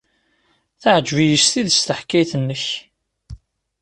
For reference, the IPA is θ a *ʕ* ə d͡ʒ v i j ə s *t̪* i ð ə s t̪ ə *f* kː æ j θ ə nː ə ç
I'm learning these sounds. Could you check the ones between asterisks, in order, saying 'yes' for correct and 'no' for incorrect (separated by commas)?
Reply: yes, yes, no